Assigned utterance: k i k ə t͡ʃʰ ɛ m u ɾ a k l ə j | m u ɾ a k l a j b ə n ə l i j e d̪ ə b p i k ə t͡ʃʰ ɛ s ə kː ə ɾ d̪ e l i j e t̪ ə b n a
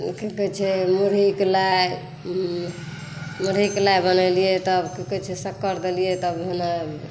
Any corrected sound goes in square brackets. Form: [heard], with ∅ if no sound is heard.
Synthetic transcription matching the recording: k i k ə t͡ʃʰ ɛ m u ɾ [i] k l [a] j | m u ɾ [i] k l a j b ə n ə l i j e [t̪] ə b [k] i k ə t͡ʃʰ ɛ s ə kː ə ɾ d̪ e l i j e t̪ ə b n a